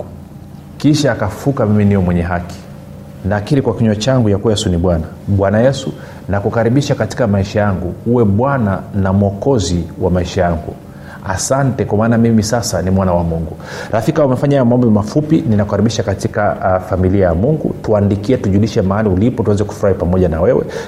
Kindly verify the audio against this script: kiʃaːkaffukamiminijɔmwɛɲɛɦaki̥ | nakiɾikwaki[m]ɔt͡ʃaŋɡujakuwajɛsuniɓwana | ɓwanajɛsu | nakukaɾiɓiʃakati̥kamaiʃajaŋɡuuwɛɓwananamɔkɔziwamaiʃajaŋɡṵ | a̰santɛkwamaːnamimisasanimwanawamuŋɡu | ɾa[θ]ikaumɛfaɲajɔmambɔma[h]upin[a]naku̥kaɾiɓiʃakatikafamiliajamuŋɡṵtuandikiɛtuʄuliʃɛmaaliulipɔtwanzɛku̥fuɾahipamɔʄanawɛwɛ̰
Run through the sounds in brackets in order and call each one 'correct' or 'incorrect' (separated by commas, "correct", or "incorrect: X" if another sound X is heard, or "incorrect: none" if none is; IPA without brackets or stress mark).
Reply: incorrect: ɲ, incorrect: f, incorrect: f, incorrect: i